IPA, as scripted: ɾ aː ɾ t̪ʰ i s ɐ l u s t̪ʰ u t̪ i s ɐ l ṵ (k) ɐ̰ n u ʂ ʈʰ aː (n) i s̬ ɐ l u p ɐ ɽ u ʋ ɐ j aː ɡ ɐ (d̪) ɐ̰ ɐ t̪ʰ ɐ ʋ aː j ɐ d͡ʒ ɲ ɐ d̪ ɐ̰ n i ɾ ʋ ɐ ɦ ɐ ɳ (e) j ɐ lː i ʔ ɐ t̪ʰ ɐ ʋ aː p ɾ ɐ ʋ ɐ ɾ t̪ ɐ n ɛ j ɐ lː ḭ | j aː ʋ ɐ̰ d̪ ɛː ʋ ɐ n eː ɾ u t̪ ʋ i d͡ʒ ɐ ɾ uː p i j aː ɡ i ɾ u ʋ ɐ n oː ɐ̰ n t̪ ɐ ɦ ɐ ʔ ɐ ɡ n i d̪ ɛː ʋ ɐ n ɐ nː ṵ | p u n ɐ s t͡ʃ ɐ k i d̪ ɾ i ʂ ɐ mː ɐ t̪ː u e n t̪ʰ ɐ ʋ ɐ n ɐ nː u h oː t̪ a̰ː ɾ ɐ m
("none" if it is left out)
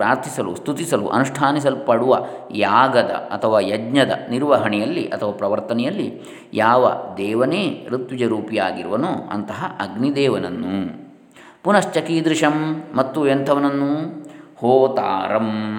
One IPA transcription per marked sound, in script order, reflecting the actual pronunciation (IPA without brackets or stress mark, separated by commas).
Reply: ʔ, n, d̪, ɛ